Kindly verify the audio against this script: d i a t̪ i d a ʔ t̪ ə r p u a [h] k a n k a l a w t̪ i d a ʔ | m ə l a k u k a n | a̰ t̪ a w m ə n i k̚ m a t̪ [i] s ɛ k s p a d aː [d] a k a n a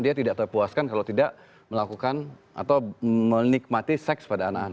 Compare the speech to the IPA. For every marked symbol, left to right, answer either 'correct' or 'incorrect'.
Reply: incorrect: s, correct, incorrect: n

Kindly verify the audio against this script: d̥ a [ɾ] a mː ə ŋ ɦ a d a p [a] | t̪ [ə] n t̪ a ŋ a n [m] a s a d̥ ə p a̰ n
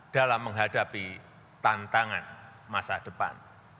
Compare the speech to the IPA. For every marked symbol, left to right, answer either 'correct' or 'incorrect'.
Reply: incorrect: l, incorrect: i, incorrect: a, correct

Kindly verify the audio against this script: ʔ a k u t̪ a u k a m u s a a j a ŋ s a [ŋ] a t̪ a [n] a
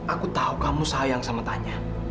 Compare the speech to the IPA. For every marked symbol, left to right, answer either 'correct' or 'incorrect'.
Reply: incorrect: m, incorrect: ɲ

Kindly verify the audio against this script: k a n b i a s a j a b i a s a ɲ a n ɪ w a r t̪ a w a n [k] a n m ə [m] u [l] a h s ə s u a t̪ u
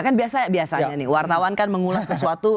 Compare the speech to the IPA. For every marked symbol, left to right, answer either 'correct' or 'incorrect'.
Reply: correct, incorrect: ŋ, correct

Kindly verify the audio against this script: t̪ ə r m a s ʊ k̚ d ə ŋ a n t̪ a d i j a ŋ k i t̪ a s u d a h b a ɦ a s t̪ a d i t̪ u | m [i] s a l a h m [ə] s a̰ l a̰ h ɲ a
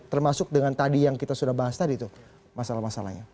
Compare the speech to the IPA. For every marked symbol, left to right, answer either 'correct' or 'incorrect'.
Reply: incorrect: a, incorrect: a

